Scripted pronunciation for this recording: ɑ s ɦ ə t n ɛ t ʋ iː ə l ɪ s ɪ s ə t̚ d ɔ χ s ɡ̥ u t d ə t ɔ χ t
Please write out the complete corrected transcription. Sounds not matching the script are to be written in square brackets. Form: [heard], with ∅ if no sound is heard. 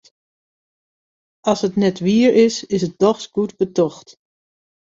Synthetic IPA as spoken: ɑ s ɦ ə t n ɛ t ʋ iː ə [ɹ] ɪ s ɪ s ə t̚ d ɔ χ s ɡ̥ u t [b] ə t ɔ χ t